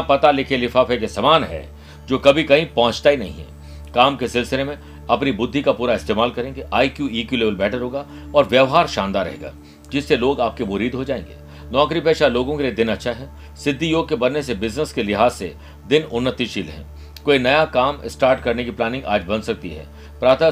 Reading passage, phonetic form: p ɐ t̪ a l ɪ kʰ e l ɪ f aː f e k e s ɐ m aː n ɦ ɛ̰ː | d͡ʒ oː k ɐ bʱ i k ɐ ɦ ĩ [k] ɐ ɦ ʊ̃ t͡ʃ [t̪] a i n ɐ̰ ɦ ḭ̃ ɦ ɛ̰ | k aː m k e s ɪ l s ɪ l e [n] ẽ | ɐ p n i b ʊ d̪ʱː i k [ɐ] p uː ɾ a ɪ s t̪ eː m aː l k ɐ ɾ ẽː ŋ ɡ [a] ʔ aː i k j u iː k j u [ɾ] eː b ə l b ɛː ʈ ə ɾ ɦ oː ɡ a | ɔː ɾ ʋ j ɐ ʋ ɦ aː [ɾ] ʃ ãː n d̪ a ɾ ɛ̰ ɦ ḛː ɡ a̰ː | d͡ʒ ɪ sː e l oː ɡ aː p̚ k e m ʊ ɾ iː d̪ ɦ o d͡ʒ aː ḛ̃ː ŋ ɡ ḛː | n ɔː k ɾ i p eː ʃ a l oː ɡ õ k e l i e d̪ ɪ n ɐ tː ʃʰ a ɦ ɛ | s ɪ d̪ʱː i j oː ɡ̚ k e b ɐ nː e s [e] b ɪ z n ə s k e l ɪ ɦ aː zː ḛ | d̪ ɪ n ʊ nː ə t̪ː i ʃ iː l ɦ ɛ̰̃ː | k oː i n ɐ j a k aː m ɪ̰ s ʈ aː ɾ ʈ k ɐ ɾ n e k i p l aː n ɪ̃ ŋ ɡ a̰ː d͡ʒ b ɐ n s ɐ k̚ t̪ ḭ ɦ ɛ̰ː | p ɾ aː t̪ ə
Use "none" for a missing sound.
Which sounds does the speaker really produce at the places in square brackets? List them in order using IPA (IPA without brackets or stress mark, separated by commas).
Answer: p, t̪, m, a, e, l, ɾ, e